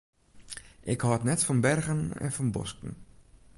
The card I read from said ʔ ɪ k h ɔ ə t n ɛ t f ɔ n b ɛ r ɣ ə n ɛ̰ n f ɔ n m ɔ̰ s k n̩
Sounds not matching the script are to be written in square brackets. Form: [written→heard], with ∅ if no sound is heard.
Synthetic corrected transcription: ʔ ɪ k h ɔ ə t n ɛ t f ɔ n b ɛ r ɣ ə n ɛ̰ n f ɔ n [m→b] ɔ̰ s k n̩